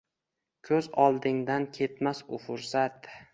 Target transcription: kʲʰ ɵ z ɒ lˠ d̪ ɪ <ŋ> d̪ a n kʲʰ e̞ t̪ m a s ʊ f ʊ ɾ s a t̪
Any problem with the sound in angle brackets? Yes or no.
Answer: no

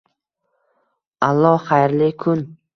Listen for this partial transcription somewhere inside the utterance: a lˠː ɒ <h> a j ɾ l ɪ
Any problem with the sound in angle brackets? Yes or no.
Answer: yes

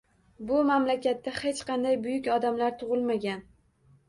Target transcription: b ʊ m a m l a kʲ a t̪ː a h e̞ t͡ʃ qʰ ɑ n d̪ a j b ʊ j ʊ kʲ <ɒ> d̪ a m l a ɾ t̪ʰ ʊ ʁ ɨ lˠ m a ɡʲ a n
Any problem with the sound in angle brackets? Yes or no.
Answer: no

